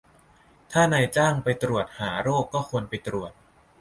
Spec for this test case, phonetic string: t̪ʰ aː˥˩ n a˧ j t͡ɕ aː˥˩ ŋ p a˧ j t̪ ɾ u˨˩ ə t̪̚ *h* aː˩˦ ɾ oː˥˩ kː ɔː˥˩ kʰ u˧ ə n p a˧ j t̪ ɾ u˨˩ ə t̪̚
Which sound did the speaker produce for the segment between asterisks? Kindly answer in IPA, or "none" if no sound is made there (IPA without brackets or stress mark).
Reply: h